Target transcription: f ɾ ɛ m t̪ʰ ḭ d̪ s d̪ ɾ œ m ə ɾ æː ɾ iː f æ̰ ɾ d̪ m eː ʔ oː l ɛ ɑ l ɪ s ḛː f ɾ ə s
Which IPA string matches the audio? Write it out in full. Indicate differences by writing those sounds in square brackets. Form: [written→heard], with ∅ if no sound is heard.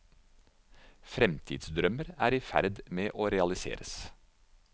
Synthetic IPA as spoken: f ɾ ɛ m t̪ʰ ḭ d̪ s d̪ ɾ œ m ə ɾ æː ɾ iː f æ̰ ɾ d̪ m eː ʔ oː [l→ɾ] ɛ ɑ l ɪ s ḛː [f→∅] ɾ ə s